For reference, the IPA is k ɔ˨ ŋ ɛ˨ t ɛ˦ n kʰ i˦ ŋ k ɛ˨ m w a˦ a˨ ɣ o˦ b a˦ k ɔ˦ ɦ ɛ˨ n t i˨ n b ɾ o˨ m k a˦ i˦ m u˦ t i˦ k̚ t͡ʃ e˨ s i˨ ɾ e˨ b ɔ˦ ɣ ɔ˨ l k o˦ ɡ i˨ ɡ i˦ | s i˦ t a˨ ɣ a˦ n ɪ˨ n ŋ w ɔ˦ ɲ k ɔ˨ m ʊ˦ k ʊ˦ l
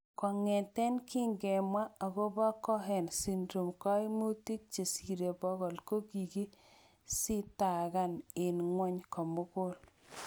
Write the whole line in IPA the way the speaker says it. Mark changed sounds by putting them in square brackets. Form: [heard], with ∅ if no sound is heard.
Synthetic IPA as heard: k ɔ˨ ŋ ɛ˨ t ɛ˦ n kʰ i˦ ŋ [ɡ] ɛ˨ m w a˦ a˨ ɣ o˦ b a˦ k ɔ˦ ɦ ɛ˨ n [s] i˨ n [d] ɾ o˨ m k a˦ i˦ m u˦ t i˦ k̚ t͡ʃ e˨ s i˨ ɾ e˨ b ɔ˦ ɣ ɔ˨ l k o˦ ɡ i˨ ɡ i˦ | s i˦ t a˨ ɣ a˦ n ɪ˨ n ŋ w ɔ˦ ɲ k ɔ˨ m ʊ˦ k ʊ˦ l